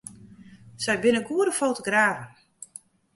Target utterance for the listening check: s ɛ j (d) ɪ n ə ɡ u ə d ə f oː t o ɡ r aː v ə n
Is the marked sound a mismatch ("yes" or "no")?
yes